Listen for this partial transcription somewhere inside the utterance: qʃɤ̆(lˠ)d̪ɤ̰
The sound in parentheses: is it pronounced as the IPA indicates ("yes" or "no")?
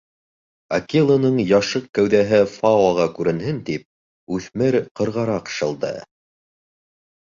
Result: yes